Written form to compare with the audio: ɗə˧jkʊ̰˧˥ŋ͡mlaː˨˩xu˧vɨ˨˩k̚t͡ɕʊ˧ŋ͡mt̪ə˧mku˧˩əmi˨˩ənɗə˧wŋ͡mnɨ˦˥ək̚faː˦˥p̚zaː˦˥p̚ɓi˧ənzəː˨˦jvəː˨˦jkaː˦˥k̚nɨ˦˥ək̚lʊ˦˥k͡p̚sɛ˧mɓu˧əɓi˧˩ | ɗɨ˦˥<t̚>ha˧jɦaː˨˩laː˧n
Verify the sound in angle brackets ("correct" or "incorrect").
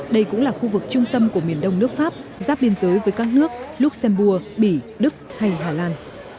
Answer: incorrect